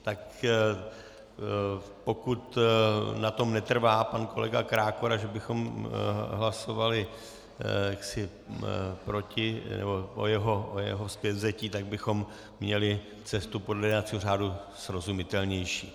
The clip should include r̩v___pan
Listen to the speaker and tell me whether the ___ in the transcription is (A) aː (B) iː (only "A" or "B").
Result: A